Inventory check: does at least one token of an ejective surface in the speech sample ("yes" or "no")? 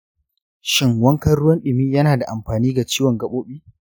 no